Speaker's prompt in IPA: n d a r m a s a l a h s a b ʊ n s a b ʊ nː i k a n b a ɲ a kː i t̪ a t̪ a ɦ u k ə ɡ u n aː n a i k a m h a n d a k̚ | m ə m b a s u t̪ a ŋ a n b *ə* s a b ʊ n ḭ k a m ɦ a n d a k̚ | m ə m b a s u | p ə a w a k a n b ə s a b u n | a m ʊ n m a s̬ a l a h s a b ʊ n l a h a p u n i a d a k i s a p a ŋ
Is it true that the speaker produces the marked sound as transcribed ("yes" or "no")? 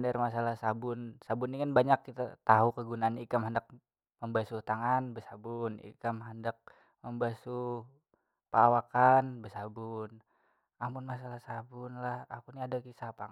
yes